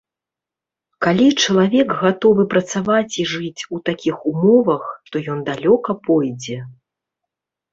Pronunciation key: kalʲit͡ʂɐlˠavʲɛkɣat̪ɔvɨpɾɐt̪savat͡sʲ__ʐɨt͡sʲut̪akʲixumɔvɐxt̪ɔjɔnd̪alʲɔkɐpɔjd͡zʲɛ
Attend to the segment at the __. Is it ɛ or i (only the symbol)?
i